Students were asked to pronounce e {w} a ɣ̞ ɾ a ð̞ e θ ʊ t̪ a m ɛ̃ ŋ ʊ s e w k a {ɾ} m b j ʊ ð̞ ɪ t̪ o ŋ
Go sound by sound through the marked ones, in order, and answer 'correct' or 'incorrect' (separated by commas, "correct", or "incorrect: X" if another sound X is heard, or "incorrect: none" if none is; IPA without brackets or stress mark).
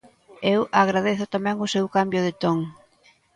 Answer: correct, incorrect: none